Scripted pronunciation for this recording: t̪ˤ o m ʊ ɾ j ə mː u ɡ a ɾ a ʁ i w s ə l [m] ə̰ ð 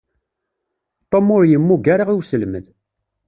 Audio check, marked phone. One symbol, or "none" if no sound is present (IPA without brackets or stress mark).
m